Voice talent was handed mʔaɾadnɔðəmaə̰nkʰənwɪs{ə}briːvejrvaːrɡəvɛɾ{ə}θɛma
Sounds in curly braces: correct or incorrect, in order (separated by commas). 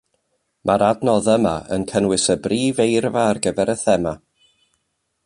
correct, correct